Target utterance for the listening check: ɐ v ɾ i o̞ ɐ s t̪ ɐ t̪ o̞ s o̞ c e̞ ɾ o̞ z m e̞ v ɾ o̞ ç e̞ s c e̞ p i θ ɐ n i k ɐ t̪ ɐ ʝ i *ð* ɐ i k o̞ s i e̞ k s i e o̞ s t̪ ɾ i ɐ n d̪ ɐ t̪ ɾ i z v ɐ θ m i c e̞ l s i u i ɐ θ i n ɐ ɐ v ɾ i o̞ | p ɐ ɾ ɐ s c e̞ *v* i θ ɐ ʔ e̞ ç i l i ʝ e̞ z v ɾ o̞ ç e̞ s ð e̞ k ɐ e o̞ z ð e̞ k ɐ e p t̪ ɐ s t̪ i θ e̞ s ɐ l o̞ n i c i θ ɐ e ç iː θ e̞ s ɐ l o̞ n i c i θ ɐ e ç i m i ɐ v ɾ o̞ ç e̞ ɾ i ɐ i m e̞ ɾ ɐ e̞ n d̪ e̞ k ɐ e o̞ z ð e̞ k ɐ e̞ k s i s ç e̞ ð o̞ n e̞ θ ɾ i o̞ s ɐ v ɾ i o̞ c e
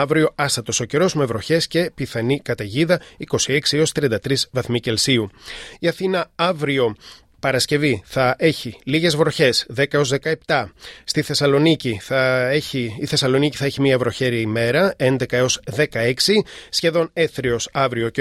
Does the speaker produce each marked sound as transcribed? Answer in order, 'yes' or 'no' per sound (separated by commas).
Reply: yes, yes